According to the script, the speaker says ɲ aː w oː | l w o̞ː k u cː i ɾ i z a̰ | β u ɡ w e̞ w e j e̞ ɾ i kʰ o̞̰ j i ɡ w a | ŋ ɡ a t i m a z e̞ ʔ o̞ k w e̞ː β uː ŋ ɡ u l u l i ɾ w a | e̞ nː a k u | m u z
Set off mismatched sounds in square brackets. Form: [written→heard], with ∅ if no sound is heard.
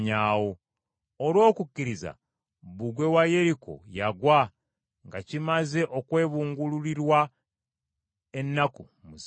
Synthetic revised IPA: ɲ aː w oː | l w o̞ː k u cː i ɾ i z a̰ | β u ɡ w e̞ w [e→a] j e̞ ɾ i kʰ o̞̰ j [i→a] ɡ w a | ŋ ɡ a [t→c] i m a z e̞ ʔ o̞ k w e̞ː β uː ŋ ɡ u l u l i ɾ w a | e̞ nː a k u | m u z